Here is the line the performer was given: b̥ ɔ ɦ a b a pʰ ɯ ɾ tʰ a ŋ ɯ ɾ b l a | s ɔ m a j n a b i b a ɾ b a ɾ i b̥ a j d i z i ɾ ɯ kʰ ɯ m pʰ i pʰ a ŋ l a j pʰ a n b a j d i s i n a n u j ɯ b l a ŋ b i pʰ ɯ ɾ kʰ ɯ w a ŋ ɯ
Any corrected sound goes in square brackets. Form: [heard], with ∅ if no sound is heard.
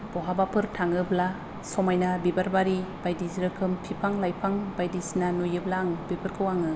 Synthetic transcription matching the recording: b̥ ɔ ɦ a b a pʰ ɯ ɾ tʰ a ŋ ɯ [∅] b l a | s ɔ m a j n a b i b a ɾ b a ɾ i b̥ a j d i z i ɾ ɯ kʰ ɯ m pʰ i pʰ a ŋ l a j pʰ a [ŋ] b a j d i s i n a n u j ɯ b l a ŋ b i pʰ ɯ ɾ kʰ ɯ w a ŋ ɯ

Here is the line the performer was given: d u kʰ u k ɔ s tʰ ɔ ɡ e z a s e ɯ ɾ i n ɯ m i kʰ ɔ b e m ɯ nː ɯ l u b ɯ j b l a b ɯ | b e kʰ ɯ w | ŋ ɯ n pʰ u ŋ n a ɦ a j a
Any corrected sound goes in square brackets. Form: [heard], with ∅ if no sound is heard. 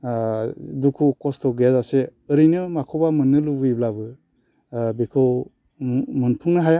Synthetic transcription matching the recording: d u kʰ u k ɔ s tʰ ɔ ɡ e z a s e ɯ ɾ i n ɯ m [a] kʰ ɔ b [a] m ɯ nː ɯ l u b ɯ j b l a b ɯ | b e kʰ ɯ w | [m] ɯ n pʰ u ŋ n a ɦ a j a

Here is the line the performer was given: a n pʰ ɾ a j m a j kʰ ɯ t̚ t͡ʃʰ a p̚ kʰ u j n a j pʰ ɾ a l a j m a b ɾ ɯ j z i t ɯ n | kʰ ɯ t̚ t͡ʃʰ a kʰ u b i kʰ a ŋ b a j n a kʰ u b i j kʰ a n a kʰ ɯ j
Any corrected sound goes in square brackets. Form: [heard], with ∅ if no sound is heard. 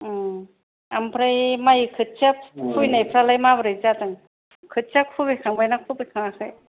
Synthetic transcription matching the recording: a [m] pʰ ɾ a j m a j kʰ ɯ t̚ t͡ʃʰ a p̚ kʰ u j n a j pʰ ɾ a l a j m a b ɾ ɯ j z [a] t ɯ [ŋ] | kʰ ɯ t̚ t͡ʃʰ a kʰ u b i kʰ a ŋ b a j n a kʰ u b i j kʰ a [ŋ] a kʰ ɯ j

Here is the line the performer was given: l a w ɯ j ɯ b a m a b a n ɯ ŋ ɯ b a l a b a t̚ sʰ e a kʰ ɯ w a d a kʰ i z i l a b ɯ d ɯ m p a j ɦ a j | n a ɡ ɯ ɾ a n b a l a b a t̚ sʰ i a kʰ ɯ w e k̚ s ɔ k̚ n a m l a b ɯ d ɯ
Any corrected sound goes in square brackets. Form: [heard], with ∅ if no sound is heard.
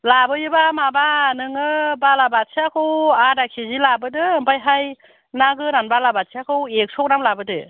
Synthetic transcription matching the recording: l a [b] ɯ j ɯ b a m a b a n ɯ ŋ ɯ b a l a b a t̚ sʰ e a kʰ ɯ w a d a kʰ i z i l a b ɯ d ɯ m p a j ɦ a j | n a ɡ ɯ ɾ a n b a l a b a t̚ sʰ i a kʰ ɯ w e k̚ s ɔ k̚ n a m l a b ɯ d ɯ

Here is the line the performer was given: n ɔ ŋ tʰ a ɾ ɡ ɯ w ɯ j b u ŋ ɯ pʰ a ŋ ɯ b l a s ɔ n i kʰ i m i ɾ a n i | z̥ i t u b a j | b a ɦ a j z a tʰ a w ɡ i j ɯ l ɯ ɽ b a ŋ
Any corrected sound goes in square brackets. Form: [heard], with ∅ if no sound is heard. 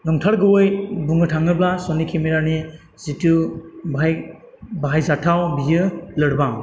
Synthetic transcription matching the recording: n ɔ ŋ tʰ a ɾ ɡ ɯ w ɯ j b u ŋ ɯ [tʰ] a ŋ ɯ b l a s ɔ n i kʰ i m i ɾ a n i | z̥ i t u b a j | b a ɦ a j z a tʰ a w [b] i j ɯ l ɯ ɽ b a ŋ

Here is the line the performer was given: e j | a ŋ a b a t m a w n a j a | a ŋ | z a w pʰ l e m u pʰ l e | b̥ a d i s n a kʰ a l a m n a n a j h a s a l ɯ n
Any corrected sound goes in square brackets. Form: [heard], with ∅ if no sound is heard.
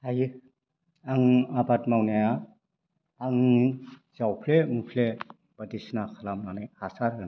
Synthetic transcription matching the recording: [a] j | a ŋ a b a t m a w n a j a | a ŋ | z a w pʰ l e m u pʰ l e | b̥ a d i s n a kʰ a l a m n a n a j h a s a [ɾ] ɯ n

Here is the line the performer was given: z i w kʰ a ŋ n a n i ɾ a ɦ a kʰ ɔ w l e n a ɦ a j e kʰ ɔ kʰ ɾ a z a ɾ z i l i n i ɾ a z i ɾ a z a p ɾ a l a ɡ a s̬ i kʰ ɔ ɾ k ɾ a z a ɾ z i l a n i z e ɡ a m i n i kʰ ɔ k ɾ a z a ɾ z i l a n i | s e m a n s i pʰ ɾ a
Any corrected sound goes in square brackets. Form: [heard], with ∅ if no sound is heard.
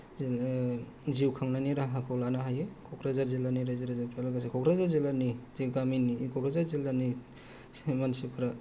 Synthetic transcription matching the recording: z i w kʰ a ŋ n a n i ɾ a ɦ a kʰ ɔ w l [a] n a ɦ a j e kʰ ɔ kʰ ɾ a z a ɾ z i l [a] n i ɾ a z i ɾ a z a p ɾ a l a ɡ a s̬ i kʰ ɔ [∅] k ɾ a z a ɾ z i l a n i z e ɡ a m i n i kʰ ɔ k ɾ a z a ɾ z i l a n i | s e m a n s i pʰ ɾ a

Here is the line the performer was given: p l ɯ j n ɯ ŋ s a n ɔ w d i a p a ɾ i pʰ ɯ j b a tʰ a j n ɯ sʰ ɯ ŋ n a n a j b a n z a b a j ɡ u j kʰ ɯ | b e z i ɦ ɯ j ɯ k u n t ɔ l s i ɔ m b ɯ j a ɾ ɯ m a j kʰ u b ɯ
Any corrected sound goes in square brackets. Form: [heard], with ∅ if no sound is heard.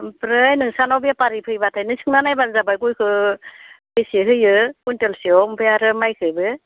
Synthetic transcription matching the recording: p [ɾ] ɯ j n ɯ ŋ s a n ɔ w [b] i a p a ɾ i pʰ ɯ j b a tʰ a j n ɯ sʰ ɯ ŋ n a n a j b a n z a b a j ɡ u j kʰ ɯ | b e [s] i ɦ ɯ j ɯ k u n t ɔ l s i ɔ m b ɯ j a ɾ ɯ m a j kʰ [ɯ] b ɯ

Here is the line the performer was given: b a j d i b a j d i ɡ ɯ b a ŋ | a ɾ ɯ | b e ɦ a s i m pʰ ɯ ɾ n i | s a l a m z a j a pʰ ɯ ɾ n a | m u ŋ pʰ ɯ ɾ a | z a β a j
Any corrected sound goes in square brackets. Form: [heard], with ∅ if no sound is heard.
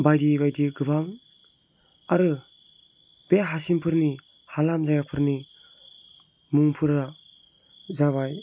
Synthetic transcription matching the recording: b a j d i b a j d i ɡ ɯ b a ŋ | a ɾ ɯ | b e ɦ a s i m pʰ ɯ ɾ n i | [h] a l a m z a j a pʰ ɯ ɾ n [i] | m u ŋ pʰ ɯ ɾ a | z a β a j

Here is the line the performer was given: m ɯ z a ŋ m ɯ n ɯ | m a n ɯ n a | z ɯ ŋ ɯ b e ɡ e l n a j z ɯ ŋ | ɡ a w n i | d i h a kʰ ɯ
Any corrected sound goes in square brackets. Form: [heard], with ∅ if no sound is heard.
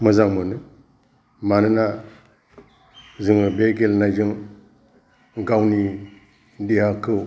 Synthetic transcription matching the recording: m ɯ z a ŋ m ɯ n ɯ | m a n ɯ n a | z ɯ ŋ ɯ b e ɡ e l n a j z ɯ ŋ | ɡ a w n i | d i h a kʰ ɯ

